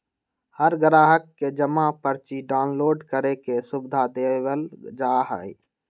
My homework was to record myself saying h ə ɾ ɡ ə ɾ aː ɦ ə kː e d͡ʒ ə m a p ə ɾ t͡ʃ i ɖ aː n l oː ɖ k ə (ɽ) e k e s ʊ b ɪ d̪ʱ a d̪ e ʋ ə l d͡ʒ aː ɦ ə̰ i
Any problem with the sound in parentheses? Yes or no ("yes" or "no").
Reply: yes